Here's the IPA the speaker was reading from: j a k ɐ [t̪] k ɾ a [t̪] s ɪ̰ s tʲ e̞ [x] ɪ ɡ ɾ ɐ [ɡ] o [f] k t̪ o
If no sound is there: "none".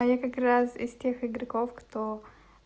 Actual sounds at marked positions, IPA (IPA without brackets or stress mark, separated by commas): none, none, x, k, f